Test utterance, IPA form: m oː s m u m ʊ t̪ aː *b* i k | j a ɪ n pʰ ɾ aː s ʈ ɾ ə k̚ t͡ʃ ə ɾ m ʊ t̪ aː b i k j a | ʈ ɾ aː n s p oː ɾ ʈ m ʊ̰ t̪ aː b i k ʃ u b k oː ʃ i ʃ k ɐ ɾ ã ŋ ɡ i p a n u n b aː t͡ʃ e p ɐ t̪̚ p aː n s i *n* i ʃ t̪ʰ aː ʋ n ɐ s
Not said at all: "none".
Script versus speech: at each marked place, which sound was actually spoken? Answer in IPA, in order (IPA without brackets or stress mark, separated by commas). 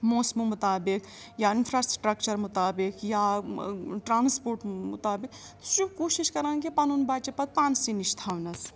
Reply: b, n